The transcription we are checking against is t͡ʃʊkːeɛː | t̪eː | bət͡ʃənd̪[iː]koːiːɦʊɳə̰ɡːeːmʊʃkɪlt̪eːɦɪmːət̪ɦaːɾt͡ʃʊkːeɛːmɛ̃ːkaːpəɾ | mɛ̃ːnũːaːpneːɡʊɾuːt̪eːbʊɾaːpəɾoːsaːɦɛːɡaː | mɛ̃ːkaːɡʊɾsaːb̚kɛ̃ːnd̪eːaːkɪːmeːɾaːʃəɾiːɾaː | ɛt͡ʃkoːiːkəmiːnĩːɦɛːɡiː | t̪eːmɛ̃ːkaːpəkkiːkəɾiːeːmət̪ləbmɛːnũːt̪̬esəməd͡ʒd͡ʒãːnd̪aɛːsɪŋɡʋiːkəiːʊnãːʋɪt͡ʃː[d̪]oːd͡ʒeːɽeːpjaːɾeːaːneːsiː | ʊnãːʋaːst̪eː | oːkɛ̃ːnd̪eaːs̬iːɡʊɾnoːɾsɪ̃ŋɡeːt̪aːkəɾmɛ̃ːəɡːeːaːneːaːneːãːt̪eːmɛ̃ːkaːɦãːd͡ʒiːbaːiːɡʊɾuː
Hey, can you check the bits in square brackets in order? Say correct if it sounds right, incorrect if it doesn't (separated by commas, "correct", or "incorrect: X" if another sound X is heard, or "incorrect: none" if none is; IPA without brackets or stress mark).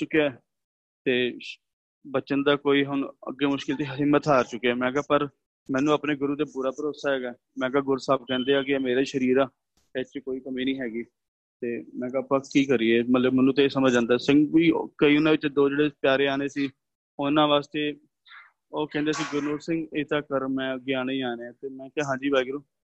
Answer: incorrect: aː, correct